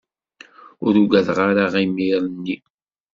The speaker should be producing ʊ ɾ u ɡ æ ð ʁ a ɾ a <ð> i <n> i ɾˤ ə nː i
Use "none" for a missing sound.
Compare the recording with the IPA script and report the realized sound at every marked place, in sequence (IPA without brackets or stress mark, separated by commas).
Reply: ʁ, m